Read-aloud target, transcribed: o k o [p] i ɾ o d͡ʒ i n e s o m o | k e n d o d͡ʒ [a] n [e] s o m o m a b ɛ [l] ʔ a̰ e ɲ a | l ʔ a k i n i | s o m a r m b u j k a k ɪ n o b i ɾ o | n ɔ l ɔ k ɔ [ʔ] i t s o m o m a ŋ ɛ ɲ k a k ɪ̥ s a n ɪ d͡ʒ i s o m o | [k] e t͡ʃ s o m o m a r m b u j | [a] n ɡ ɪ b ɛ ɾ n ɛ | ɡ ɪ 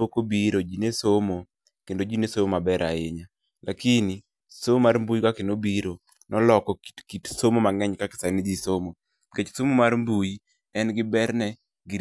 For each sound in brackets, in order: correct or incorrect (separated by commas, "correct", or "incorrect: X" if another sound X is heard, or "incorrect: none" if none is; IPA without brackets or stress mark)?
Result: incorrect: b, incorrect: i, correct, incorrect: ɾ, incorrect: k, correct, incorrect: ɛ